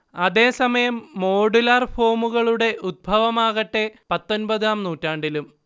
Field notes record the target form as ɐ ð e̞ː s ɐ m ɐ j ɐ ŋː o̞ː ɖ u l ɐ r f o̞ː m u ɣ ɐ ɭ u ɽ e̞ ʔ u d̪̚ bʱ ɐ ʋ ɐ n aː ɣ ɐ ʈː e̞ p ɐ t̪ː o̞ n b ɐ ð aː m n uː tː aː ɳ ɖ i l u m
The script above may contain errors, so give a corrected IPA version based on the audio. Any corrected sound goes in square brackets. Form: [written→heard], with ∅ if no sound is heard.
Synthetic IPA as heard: ɐ ð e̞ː s ɐ m ɐ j ɐ [ŋː→mː] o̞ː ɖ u l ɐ r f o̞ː m u ɣ ɐ ɭ u ɽ e̞ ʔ u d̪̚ bʱ ɐ ʋ ɐ [n→m] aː ɣ ɐ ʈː e̞ p ɐ t̪ː o̞ n b ɐ ð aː m n uː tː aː ɳ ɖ i l u m